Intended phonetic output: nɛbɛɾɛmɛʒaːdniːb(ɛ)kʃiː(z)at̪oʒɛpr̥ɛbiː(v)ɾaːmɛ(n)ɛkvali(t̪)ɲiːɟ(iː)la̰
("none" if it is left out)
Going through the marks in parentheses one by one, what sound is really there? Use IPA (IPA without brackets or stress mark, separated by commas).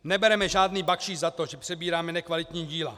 a, z, none, n, t̪, iː